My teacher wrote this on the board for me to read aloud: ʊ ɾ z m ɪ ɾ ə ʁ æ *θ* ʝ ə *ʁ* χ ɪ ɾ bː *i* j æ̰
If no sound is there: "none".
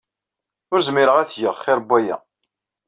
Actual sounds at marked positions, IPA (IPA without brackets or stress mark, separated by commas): θ, ʁ, æ